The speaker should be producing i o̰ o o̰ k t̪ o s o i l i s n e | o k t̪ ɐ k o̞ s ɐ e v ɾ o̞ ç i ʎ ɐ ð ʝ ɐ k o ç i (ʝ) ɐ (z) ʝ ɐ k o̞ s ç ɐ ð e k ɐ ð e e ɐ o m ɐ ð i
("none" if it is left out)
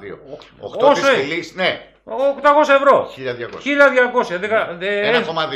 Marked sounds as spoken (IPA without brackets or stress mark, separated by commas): ʎ, ð